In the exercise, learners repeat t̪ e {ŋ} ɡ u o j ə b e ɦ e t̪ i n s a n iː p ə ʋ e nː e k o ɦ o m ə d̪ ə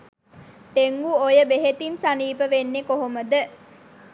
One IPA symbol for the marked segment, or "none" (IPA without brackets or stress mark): ŋ